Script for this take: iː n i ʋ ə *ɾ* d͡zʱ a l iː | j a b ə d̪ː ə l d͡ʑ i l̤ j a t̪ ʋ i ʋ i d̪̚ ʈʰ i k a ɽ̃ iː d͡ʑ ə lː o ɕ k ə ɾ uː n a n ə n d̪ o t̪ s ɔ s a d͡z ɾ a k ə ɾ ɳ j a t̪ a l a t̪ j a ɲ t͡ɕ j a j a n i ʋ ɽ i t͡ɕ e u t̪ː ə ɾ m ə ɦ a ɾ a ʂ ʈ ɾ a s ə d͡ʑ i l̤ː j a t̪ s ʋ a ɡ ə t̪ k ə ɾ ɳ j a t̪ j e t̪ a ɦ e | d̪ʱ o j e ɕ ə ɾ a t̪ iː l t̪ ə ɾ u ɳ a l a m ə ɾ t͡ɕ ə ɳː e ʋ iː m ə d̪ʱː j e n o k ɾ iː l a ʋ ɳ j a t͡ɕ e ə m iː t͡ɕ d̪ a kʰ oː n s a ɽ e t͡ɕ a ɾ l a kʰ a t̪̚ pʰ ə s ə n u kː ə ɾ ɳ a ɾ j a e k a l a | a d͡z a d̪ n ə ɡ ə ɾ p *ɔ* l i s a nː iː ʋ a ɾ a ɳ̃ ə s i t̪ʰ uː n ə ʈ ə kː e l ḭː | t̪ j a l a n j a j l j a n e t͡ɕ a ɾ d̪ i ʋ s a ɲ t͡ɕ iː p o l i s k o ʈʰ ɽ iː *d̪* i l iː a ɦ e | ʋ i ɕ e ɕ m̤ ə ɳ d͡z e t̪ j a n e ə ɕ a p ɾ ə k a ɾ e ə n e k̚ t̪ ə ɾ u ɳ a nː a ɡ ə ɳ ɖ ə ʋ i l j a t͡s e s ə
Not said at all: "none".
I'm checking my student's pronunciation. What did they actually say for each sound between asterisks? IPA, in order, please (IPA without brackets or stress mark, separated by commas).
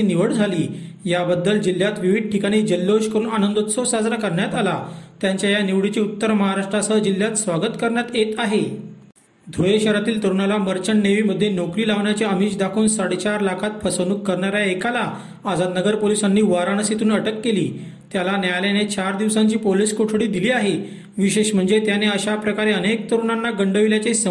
ɽ, o, d̪